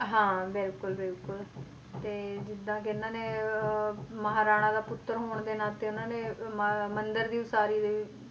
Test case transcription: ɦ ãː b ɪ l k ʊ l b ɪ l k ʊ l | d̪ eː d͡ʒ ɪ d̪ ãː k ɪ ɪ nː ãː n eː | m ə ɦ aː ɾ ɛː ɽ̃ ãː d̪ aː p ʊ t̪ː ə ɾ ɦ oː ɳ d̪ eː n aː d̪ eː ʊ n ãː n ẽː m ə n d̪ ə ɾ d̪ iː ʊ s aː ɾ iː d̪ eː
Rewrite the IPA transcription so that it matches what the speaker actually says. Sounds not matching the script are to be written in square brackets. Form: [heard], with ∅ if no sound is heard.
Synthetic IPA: ɦ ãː b ɪ l k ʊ l b ɪ l k ʊ l | [t̪] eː d͡ʒ ɪ d̪ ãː k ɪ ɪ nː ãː n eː | m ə ɦ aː ɾ [aː] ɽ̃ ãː d̪ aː p ʊ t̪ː ə ɾ ɦ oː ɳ d̪ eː n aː [t̪] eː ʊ n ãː n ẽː m ə n d̪ ə ɾ d̪ iː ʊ s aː ɾ iː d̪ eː